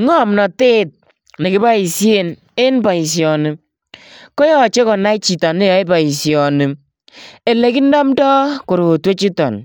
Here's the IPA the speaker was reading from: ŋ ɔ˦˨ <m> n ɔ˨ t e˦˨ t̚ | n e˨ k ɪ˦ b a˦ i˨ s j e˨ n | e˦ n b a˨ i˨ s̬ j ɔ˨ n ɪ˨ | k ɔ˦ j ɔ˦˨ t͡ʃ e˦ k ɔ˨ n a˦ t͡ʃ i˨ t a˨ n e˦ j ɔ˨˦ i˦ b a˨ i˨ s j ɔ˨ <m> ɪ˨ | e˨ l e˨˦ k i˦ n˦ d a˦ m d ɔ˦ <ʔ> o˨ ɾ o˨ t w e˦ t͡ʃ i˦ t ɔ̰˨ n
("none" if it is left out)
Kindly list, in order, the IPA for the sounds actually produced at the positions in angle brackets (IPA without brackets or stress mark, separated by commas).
m, n, k